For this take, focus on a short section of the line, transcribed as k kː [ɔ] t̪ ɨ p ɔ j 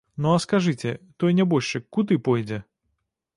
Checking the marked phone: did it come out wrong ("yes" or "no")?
yes